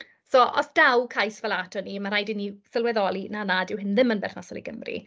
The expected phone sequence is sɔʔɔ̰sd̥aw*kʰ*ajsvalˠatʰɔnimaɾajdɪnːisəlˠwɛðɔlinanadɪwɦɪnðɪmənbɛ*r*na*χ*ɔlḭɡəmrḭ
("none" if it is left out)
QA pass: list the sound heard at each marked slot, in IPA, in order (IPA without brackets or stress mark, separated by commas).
kʰ, r, s